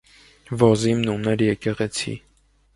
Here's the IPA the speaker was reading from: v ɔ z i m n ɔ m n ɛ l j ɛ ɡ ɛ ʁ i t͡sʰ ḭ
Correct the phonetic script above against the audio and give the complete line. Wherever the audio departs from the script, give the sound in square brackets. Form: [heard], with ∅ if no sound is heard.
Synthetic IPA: v ɔ z i m n [u] m n ɛ [ɾ] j ɛ [k] ɛ ʁ [ɛ] t͡sʰ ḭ